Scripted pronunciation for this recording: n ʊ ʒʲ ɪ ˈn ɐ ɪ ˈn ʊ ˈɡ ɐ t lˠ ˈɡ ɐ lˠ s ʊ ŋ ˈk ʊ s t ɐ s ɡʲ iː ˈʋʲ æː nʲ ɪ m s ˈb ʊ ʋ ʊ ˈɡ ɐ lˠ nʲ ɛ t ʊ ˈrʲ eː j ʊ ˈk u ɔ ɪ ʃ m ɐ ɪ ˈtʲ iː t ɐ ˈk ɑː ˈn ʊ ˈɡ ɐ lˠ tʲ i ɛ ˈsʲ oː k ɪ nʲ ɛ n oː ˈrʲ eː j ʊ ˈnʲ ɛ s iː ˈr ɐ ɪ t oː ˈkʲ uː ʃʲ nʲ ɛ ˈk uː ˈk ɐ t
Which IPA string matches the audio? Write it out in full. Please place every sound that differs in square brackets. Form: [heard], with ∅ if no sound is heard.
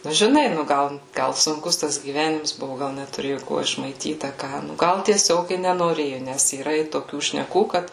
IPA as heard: n ʊ ʒʲ ɪ ˈn ɐ ɪ ˈn ʊ ˈɡ ɐ [∅] lˠ ˈɡ ɐ lˠ s ʊ ŋ ˈk ʊ s t ɐ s ɡʲ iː ˈʋʲ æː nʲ ɪ m s ˈb ʊ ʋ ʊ ˈɡ ɐ lˠ nʲ ɛ t ʊ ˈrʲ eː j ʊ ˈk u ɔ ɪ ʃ m ɐ ɪ ˈtʲ iː t ɐ ˈk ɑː ˈn ʊ ˈɡ ɐ lˠ tʲ i ɛ ˈsʲ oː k ɪ nʲ ɛ n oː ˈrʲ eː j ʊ ˈnʲ ɛ s iː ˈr ɐ ɪ t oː ˈkʲ uː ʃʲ nʲ ɛ ˈk uː ˈk ɐ t

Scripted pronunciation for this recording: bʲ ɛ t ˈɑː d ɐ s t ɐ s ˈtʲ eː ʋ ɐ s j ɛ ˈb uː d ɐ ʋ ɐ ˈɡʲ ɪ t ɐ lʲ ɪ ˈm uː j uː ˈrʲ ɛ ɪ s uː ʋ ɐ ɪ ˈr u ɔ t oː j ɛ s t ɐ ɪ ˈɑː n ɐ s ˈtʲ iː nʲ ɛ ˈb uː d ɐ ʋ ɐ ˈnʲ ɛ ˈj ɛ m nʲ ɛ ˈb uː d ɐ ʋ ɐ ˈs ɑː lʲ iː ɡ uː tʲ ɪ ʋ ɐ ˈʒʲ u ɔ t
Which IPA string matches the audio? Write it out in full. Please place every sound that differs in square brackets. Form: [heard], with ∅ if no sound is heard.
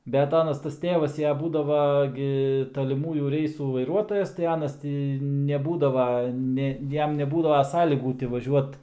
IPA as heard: bʲ ɛ t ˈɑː [n] ɐ s t ɐ s ˈtʲ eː ʋ ɐ s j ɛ ˈb uː d ɐ ʋ ɐ ˈɡʲ ɪ t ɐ lʲ ɪ ˈm uː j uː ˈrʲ ɛ ɪ s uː ʋ ɐ ɪ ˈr u ɔ t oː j ɛ s t ɐ ɪ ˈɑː n ɐ s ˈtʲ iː nʲ ɛ ˈb uː d ɐ ʋ ɐ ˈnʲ ɛ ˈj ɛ m nʲ ɛ ˈb uː d ɐ ʋ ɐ ˈs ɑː lʲ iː ɡ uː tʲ ɪ ʋ ɐ ˈʒʲ u ɔ t

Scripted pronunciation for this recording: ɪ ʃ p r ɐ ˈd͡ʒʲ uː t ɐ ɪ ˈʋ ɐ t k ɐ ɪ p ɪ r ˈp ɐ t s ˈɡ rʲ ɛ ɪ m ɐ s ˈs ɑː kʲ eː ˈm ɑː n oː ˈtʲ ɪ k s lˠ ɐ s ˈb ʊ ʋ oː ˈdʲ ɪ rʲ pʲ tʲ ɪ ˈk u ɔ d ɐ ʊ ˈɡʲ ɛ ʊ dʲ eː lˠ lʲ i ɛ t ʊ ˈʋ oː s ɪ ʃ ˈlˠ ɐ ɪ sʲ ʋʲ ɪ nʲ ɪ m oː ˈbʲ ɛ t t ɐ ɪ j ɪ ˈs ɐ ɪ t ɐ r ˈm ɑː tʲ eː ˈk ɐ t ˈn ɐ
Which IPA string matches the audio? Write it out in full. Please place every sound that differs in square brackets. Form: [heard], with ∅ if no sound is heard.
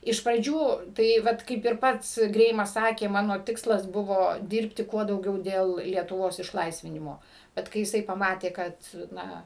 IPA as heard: ɪ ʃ p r ɐ ˈd͡ʒʲ uː t ɐ ɪ ˈʋ ɐ t k ɐ ɪ p ɪ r ˈp ɐ t s ˈɡ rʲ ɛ ɪ m ɐ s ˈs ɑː kʲ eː ˈm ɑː n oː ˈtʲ ɪ k s lˠ ɐ s ˈb ʊ ʋ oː ˈdʲ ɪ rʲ pʲ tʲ ɪ ˈk u ɔ d ɐ ʊ ˈɡʲ ɛ ʊ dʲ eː lˠ lʲ i ɛ t ʊ ˈʋ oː s ɪ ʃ ˈlˠ ɐ ɪ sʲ ʋʲ ɪ nʲ ɪ m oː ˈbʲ ɛ t [k] ɐ ɪ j ɪ ˈs ɐ ɪ [p] ɐ [∅] ˈm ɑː tʲ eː ˈk ɐ t ˈn ɐ

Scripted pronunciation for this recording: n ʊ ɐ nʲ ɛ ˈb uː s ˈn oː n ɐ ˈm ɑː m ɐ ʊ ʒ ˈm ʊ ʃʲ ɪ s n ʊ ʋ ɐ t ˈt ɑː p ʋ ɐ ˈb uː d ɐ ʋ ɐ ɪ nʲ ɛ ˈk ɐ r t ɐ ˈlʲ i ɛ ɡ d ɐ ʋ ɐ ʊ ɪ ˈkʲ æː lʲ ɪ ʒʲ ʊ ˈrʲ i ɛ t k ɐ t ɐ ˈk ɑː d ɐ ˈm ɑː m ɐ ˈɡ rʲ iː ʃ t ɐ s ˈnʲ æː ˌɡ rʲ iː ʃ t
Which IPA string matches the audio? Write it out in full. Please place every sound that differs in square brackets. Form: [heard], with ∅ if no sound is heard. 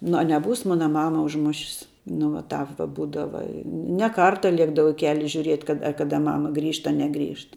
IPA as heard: n ʊ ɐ nʲ ɛ ˈb uː s [ˈm] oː n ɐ ˈm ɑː m ɐ ʊ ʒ ˈm ʊ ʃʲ ɪ s n ʊ ʋ ɐ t ˈt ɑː p ʋ ɐ ˈb uː d ɐ ʋ ɐ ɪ nʲ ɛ ˈk ɐ r t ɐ ˈlʲ i ɛ ɡ d ɐ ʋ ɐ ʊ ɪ ˈkʲ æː lʲ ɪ ʒʲ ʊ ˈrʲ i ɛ t k ɐ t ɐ ˈk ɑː d ɐ ˈm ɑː m ɐ ˈɡ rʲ iː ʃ t ɐ [∅] ˈnʲ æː ˌɡ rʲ iː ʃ t

